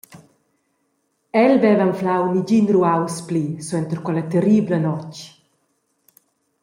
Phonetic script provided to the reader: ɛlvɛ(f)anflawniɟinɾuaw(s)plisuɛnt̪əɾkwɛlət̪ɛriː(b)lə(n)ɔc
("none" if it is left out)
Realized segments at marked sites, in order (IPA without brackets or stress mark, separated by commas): v, s, b, n